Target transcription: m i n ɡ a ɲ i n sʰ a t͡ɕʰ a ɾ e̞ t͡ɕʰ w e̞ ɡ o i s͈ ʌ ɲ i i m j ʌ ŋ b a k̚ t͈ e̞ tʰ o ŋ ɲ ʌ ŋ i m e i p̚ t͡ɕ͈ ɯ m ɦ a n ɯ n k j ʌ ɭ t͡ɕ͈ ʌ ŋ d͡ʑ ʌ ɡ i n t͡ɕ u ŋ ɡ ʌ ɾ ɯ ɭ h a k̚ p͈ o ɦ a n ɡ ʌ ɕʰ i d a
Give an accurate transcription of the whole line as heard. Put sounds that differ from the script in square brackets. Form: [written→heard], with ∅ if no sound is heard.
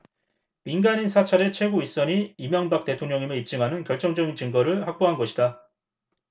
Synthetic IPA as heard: m i n ɡ a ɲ i n sʰ a t͡ɕʰ a ɾ e̞ t͡ɕʰ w e̞ ɡ o i s͈ ʌ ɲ i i m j ʌ ŋ b a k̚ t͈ e̞ tʰ o ŋ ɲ ʌ ŋ i m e i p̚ t͡ɕ͈ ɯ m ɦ a n ɯ n k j ʌ ɭ t͡ɕ͈ ʌ ŋ d͡ʑ ʌ ɡ i n t͡ɕ [u→ɯ] ŋ ɡ ʌ ɾ ɯ ɭ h a k̚ p͈ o ɦ a n ɡ ʌ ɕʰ i d a